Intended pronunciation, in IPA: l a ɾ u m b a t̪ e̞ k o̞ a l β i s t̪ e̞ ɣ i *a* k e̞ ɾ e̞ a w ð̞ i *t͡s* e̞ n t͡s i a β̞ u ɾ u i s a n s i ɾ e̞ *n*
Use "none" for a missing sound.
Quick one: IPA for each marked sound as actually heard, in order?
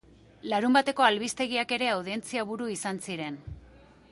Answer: a, none, n

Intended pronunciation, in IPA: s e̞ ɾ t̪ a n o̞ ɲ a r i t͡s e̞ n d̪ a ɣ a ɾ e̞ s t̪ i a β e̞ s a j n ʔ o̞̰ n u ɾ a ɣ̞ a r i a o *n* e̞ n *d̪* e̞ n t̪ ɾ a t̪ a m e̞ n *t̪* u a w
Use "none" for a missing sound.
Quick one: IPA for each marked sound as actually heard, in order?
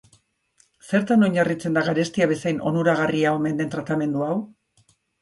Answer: m, d̪, d̪

